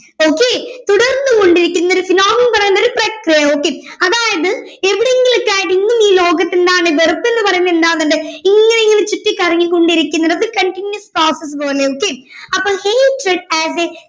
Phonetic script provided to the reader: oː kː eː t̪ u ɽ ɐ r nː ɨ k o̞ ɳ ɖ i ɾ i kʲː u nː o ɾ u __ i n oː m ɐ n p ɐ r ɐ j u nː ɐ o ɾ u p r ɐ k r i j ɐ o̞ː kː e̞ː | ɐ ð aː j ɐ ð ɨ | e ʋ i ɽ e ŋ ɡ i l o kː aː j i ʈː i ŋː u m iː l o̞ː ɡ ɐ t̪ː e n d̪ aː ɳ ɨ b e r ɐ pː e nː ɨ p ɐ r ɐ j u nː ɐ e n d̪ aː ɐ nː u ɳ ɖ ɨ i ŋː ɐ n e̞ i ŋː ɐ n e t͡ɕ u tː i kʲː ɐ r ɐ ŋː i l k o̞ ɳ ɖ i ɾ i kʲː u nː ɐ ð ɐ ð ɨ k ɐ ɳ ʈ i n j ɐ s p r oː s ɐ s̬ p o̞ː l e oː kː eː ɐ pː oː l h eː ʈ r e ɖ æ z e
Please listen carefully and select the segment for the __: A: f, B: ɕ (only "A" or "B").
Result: A